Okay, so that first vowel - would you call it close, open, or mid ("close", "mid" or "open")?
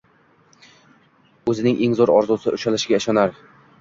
mid